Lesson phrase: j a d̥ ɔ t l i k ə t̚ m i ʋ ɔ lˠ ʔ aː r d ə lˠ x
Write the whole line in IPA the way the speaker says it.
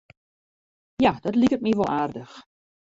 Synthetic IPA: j a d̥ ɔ t l i k ə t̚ m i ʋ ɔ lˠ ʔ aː r d ə x